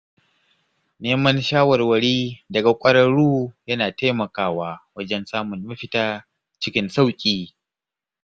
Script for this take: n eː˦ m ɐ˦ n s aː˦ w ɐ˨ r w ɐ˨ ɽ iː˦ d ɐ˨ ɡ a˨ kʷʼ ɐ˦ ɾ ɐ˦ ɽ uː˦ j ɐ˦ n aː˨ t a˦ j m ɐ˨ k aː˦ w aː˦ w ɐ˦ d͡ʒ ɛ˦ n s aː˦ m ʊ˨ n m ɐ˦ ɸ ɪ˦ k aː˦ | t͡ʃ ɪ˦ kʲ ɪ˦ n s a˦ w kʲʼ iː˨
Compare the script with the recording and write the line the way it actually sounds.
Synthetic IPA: n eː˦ m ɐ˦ n ʃ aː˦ w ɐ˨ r w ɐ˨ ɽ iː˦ d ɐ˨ ɡ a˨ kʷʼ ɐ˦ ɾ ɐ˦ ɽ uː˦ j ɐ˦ n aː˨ t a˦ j m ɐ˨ k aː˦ w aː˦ w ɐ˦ d͡ʒ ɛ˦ n s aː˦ m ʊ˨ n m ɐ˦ ɸ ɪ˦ t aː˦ | t͡ʃ ɪ˦ kʲ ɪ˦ n s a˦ w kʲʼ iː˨